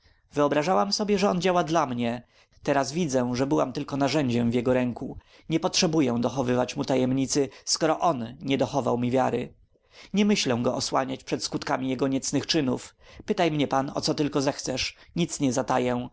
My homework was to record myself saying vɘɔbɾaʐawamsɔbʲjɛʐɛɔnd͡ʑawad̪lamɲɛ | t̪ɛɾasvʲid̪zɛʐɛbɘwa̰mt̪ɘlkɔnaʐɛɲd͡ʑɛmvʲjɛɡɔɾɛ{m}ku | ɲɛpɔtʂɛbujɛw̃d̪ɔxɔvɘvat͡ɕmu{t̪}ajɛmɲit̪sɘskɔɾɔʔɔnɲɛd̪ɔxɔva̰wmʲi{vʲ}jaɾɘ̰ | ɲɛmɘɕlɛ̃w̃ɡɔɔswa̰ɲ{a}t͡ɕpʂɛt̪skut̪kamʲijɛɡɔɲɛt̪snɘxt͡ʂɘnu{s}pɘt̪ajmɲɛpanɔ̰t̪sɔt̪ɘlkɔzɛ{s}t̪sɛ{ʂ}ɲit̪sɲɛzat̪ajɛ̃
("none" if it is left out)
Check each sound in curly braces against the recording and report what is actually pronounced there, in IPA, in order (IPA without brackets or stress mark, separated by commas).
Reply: ŋ, t̪, vʲ, a, f, x, ʂ